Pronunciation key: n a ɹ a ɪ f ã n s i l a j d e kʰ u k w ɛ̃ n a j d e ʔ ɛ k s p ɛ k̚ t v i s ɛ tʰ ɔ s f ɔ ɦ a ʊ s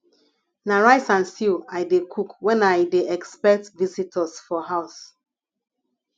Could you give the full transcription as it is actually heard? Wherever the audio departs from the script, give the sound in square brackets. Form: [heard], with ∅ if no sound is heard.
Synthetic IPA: n a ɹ a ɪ [s] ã n s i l a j d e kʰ u k w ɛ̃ n a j d e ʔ ɛ k s p ɛ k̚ t v i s [i] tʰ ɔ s f ɔ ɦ a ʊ s